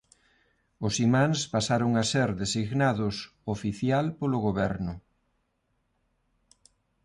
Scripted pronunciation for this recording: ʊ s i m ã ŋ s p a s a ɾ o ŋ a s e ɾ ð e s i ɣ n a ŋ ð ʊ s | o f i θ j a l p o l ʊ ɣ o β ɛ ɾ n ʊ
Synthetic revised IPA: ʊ s i m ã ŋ s p a s a ɾ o ŋ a s e ɾ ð e s i ɣ n a ð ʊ s | o f i θ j a l p o l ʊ ɣ o β ɛ ɾ n ʊ